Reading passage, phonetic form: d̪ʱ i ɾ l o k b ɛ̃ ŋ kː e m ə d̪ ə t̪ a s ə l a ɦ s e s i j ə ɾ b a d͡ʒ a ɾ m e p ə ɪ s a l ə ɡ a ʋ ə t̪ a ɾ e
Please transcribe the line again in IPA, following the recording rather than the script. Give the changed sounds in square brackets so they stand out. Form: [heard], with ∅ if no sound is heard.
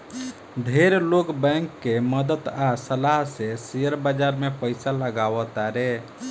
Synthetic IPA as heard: d̪ʱ [e] ɾ l o k b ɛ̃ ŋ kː e m ə d̪ ə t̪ a s ə l a ɦ s e s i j ə ɾ b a d͡ʒ a ɾ m e p ə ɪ s a l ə ɡ a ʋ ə t̪ a ɾ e